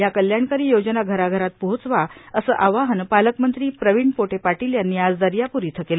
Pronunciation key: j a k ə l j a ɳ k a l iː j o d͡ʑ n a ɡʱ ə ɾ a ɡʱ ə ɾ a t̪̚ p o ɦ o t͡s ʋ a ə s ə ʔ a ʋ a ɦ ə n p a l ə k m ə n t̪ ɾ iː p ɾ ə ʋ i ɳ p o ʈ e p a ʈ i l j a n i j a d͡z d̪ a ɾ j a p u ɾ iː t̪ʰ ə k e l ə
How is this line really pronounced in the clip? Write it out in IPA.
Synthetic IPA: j a k ə l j a ɳ k a ɾ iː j o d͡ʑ n a ɡʱ ə ɾ a ɡʱ ə ɾ a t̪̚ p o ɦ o t͡s ʋ a ə s ə ʔ a ʋ a ɦ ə n p a l ə k m ə n t̪ ɾ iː p ɾ ə ʋ i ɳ p o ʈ e p a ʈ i l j a n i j a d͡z d̪ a ɾ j a p u ɾ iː t̪ʰ ə k e l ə